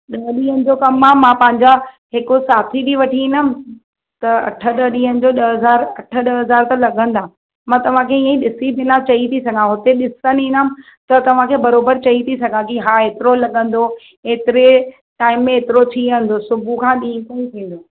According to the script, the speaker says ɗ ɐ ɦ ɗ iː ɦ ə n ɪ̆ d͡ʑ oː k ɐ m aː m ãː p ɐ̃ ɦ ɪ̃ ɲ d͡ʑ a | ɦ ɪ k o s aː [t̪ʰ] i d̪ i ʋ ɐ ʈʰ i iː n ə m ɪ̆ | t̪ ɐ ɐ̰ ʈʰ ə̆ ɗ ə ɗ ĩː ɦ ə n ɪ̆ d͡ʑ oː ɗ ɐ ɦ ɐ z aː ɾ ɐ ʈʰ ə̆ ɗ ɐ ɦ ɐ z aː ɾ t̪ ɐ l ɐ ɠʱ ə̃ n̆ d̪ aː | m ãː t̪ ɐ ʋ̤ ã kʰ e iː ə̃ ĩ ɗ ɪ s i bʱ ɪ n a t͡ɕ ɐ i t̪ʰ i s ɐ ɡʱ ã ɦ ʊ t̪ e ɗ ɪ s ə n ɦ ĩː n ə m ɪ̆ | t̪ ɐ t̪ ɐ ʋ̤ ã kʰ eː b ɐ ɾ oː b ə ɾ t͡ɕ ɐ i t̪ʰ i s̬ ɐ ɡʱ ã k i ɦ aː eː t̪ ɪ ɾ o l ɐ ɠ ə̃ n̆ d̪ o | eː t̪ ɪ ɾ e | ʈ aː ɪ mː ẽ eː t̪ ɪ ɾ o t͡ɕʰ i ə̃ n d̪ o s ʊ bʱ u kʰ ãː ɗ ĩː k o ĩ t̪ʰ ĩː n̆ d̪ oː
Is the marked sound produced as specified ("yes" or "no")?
yes